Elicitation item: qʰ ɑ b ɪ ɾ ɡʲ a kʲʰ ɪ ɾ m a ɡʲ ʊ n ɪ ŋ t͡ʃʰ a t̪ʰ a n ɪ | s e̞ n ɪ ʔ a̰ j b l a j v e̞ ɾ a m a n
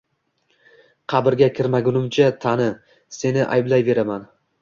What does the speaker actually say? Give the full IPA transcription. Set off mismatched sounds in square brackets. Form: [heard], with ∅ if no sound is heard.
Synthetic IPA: qʰ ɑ b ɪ ɾ ɡʲ a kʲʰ ɪ ɾ m a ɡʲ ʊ n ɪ [m] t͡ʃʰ a t̪ʰ a n ɪ | s e̞ n ɪ ʔ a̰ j b l a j v e̞ ɾ a m a n